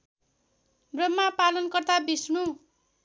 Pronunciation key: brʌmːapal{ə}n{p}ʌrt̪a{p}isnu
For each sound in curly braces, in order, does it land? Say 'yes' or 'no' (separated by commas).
no, no, no